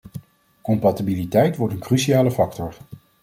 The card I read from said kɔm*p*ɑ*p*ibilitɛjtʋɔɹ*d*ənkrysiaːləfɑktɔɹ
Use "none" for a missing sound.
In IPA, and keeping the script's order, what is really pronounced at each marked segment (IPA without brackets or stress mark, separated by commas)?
p, t, t